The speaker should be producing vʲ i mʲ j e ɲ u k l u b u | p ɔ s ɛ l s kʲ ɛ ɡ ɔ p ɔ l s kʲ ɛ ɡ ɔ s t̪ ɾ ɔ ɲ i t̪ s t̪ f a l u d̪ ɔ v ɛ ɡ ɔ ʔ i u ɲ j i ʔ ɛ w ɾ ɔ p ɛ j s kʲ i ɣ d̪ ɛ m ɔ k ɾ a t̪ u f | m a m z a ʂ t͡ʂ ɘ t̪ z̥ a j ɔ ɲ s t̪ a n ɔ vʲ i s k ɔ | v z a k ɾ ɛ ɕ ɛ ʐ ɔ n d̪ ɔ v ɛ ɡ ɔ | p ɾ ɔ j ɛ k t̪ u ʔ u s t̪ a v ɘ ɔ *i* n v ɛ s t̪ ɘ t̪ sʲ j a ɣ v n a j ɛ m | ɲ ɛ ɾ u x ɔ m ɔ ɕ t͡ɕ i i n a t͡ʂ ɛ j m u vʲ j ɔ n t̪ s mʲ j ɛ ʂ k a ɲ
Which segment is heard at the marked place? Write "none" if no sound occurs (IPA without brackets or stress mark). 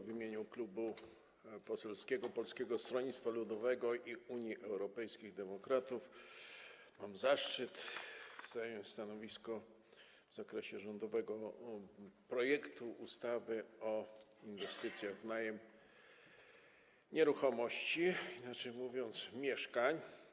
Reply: i